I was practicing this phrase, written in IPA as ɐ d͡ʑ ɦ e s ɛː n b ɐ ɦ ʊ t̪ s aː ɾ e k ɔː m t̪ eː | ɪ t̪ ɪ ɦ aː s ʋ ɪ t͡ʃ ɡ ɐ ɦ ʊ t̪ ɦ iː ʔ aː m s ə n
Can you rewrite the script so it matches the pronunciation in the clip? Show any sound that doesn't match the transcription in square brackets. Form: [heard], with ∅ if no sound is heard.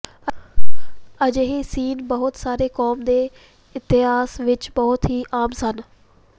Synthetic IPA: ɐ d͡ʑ ɦ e s [iː] n b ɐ ɦ ʊ t̪ s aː ɾ e k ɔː m [d̪] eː | ɪ t̪ ɪ ɦ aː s ʋ ɪ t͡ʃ [b] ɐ ɦ ʊ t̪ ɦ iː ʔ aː m s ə n